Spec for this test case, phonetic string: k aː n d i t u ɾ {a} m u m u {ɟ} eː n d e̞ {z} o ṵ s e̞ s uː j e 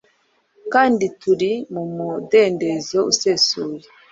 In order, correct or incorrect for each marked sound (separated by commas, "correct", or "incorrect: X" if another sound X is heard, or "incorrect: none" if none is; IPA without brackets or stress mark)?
incorrect: i, incorrect: d, correct